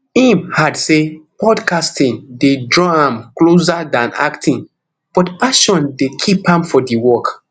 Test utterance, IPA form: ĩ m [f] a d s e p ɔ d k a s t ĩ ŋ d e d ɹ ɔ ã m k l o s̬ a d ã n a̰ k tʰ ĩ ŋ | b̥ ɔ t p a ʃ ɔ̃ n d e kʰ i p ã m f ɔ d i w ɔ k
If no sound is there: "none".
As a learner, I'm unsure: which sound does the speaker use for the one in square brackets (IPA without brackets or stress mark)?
h